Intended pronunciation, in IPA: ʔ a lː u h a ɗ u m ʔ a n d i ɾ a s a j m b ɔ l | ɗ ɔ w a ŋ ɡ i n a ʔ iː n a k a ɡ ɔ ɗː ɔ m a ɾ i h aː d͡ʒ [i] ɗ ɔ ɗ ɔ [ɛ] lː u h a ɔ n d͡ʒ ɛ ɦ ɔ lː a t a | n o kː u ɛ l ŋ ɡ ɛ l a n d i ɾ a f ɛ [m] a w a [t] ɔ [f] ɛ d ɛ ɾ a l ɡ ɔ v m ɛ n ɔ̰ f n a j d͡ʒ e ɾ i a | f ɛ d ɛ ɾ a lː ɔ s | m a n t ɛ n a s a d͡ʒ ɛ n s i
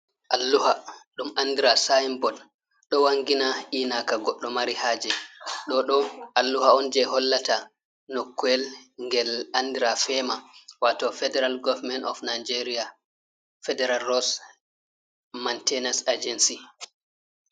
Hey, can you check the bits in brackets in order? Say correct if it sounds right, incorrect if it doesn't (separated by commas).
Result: incorrect, incorrect, correct, correct, correct